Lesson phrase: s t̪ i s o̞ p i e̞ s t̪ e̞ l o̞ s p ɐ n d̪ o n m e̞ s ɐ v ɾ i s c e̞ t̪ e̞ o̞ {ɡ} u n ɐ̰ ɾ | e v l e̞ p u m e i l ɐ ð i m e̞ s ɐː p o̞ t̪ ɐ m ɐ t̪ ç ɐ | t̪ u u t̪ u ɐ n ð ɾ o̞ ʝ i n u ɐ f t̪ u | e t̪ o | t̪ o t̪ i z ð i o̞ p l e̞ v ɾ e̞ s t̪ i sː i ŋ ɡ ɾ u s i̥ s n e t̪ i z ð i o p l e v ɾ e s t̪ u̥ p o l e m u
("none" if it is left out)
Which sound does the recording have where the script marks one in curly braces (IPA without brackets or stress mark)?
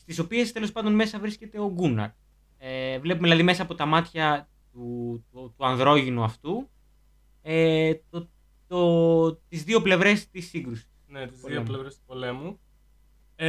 ɡ